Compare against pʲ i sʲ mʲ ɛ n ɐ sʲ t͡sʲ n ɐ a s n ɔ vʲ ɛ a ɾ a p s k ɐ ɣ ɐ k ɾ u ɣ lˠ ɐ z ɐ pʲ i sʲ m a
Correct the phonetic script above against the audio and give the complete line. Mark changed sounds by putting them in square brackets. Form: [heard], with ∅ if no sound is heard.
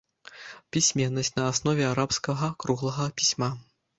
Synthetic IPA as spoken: pʲ i sʲ mʲ ɛ [nː] ɐ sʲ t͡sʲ n ɐ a s n ɔ vʲ ɛ a ɾ a p s k ɐ ɣ ɐ k ɾ u ɣ lˠ ɐ [ɣ] ɐ pʲ i sʲ m a